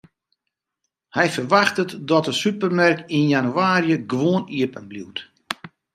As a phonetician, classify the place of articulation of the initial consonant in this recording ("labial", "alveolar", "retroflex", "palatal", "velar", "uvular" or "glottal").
glottal